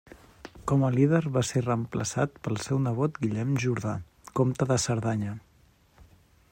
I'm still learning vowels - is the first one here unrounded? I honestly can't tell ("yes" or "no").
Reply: no